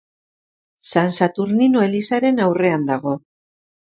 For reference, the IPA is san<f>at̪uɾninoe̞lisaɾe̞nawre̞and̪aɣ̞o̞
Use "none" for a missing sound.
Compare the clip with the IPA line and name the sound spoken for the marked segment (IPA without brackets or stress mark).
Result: s